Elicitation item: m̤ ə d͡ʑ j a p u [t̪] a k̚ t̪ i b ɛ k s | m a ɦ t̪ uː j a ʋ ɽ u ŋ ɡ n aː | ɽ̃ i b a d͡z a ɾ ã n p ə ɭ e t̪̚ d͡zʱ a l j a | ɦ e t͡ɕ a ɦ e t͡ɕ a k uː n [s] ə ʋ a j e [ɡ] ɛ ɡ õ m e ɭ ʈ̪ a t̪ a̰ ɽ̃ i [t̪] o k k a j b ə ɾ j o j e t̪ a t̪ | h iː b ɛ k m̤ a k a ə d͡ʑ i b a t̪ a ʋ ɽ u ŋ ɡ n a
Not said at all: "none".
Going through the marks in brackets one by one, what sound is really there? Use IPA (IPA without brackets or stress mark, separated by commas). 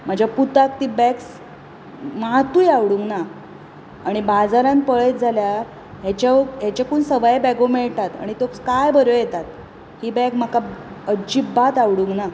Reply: t̪, s, b, t̪